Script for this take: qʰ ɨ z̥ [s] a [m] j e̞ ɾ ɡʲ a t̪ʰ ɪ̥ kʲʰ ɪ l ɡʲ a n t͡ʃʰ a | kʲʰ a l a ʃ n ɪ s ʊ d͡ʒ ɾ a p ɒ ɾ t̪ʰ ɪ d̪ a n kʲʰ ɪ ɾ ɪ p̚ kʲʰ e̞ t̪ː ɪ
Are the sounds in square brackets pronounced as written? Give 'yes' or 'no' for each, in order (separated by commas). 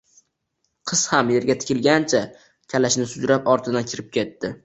no, yes